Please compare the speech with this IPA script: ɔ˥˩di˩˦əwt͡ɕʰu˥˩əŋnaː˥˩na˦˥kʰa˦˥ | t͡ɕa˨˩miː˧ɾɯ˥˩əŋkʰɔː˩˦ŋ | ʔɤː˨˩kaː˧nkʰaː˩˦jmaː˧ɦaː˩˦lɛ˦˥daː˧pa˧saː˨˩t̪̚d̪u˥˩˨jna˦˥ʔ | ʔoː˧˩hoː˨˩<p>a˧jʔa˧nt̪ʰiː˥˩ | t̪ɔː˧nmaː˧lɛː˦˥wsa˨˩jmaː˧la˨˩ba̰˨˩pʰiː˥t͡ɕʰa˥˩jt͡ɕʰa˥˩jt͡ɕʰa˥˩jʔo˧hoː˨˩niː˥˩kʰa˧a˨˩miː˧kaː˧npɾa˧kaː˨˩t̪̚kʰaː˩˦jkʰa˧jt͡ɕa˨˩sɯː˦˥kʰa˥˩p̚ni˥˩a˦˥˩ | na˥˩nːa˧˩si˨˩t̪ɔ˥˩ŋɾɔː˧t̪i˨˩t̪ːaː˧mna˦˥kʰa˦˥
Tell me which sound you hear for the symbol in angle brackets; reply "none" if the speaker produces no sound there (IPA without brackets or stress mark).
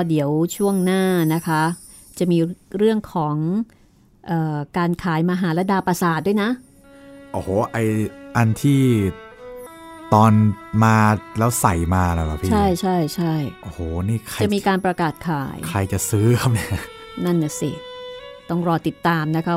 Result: ʔ